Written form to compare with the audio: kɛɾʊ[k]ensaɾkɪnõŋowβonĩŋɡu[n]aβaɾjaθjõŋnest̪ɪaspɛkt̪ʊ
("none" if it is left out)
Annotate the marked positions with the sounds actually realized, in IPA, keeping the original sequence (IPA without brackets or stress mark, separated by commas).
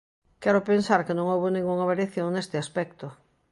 p, ŋ